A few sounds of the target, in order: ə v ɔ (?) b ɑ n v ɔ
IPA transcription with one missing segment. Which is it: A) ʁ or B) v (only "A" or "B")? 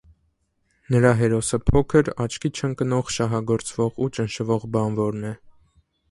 A